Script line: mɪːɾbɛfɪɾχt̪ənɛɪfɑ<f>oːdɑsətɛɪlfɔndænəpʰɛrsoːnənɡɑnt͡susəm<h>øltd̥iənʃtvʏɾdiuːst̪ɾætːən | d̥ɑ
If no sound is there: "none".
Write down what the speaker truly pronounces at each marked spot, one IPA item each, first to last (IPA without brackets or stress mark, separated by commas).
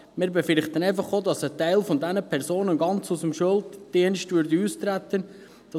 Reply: χ, ʃ